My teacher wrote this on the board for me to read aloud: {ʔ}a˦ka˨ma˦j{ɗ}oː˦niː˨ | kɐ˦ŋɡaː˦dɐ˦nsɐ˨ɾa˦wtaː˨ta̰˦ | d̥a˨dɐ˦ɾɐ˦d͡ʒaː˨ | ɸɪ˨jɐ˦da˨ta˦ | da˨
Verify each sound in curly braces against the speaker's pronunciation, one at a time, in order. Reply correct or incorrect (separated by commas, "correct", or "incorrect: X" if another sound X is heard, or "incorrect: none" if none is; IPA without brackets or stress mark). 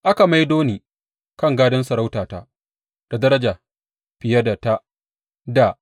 correct, incorrect: d